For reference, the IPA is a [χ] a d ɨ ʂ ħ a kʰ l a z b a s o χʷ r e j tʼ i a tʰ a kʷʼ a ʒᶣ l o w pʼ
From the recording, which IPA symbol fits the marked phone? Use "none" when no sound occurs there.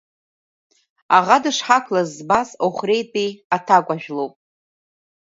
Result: ʁ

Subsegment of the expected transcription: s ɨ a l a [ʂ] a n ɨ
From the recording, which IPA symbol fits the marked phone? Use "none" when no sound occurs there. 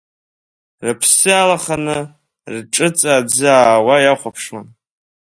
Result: χ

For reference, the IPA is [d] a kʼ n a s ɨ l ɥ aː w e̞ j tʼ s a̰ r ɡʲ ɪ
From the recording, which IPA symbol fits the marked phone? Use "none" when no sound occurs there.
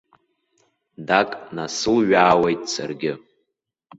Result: d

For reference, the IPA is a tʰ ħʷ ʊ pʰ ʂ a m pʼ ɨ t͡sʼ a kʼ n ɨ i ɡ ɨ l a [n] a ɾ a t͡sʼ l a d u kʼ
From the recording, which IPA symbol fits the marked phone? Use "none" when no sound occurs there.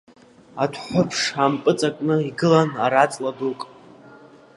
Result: n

